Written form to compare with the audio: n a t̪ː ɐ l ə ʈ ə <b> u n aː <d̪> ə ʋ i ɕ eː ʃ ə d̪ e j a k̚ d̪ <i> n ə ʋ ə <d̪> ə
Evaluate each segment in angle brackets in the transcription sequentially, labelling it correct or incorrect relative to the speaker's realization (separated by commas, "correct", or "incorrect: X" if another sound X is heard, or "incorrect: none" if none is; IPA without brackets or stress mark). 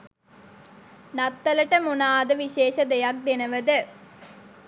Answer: incorrect: m, correct, incorrect: e, correct